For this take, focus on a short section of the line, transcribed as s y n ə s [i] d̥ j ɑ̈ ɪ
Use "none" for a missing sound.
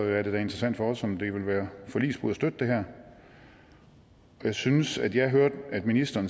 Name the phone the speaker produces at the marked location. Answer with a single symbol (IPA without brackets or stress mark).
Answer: æ